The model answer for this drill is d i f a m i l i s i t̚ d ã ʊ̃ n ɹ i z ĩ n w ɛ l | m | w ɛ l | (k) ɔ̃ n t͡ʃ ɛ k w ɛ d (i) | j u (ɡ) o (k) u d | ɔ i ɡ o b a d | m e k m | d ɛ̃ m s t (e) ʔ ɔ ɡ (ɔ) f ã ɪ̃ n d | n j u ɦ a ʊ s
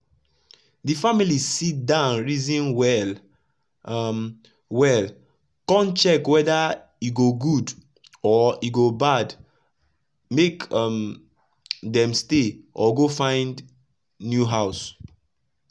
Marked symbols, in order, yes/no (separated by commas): yes, no, yes, no, yes, no